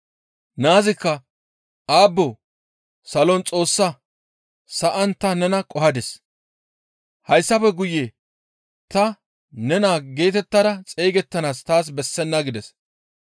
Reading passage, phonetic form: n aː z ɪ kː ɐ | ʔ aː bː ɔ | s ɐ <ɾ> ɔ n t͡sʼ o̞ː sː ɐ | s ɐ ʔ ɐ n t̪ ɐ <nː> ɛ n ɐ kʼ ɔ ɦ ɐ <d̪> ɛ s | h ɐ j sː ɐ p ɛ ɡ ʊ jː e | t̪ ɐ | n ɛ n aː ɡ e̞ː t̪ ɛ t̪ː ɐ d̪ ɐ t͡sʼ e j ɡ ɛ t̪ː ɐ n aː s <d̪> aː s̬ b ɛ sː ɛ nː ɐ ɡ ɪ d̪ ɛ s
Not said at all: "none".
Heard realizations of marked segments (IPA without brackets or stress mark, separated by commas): l, n, d̪, t̪